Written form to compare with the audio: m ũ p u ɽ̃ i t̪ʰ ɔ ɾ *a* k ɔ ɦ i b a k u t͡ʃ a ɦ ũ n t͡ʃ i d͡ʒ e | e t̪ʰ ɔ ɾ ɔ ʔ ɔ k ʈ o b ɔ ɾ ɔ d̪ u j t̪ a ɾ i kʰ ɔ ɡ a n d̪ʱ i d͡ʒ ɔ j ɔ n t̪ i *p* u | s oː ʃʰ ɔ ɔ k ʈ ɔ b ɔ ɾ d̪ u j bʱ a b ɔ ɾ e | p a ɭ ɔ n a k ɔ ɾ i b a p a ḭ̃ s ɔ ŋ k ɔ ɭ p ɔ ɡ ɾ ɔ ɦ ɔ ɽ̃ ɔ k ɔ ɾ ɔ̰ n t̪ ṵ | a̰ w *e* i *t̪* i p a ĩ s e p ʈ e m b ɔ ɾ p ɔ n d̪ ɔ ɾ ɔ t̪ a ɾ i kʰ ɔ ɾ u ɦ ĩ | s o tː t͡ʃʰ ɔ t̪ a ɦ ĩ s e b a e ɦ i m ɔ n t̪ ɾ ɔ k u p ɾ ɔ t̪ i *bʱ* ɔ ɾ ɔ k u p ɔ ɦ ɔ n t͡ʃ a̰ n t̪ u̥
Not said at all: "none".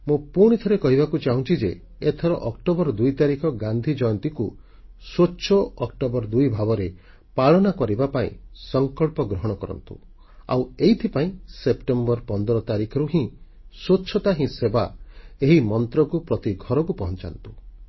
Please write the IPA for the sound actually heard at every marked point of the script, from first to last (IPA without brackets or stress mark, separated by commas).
e, k, e, t̪ʰ, ɡʱ